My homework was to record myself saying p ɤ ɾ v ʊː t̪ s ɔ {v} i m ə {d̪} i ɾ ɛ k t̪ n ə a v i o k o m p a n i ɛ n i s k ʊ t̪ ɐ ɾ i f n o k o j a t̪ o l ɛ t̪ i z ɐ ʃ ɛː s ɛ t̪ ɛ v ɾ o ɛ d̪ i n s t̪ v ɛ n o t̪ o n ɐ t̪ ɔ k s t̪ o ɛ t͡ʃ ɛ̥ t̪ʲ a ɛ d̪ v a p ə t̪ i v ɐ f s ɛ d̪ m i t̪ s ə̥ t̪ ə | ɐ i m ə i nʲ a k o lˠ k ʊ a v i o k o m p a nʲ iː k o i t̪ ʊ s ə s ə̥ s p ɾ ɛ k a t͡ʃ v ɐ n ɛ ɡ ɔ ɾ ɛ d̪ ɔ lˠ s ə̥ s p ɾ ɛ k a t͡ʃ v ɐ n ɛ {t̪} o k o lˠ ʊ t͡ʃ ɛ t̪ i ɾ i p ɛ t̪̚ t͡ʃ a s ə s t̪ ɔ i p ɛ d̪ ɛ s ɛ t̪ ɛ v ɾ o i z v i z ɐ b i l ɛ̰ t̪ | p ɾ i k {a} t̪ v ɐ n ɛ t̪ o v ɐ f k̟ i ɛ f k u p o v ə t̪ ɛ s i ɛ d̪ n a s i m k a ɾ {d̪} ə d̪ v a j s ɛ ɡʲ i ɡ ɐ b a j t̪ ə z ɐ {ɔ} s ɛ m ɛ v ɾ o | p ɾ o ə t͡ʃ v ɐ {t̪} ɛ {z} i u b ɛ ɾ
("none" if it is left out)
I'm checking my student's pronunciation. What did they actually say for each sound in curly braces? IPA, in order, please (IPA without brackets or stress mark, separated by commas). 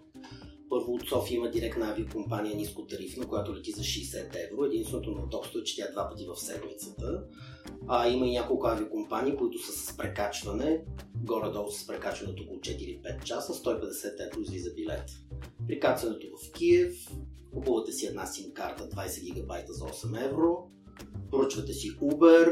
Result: f, d̪, t̪, a, t̪, ɔ, t̪, s